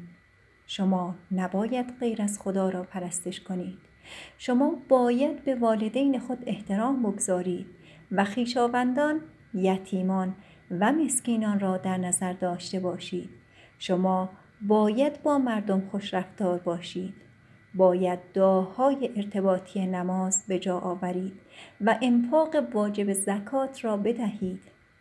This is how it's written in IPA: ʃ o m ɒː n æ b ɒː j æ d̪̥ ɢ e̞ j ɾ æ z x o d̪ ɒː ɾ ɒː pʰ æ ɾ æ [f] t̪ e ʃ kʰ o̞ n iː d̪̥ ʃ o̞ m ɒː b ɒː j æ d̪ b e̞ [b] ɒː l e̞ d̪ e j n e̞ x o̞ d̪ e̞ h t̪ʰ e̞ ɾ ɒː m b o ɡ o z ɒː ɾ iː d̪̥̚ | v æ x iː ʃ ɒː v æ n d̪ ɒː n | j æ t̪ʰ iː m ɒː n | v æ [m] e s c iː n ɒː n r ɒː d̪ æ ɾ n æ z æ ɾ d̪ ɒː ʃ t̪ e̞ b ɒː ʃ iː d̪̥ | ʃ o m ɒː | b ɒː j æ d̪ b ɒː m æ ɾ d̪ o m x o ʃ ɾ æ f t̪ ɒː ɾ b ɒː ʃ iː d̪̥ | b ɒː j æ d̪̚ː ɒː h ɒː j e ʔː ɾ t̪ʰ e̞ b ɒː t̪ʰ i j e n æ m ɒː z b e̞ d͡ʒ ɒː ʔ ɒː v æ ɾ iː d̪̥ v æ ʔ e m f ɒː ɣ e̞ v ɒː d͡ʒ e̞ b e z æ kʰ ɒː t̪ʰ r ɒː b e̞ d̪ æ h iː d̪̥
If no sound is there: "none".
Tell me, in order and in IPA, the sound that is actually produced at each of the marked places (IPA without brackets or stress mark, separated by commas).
s, v, m